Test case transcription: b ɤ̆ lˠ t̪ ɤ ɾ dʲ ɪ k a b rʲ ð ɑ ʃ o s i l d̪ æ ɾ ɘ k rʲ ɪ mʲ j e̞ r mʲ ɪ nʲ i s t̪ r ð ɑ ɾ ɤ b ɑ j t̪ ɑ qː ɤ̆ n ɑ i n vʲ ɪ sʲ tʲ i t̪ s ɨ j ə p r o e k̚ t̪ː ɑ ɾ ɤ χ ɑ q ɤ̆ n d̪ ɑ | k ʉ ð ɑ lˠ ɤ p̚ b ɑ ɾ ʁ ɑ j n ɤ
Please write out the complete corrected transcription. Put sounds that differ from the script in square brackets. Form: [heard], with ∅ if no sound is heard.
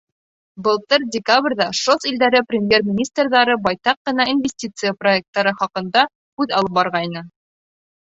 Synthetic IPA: b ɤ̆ lˠ t̪ ɤ ɾ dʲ ɪ k a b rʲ ð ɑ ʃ o s i l d̪ æ ɾ ɘ [p] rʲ ɪ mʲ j e̞ r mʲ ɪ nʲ i s t̪ r ð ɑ ɾ ɤ b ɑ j t̪ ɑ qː ɤ̆ n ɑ i n vʲ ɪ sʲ tʲ i t̪ s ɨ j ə p r o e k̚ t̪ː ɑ ɾ ɤ χ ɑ q ɤ̆ n d̪ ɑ | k ʉ ð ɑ lˠ ɤ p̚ b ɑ ɾ ʁ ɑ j n ɤ